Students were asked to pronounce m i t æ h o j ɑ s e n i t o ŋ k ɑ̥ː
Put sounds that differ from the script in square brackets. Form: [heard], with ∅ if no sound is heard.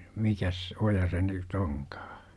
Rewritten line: m i [k] æ [s] o j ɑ s e n [y] t o ŋ k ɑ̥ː